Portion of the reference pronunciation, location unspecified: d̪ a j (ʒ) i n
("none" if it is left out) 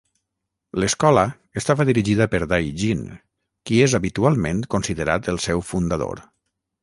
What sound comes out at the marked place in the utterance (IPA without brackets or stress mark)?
ʒ